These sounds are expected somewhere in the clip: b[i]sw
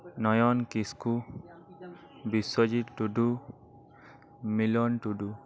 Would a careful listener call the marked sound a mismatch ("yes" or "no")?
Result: no